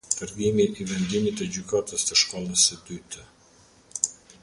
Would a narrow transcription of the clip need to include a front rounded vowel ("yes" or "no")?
yes